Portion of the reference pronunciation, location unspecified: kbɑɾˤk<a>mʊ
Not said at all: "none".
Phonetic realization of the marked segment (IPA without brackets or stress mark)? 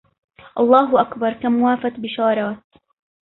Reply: a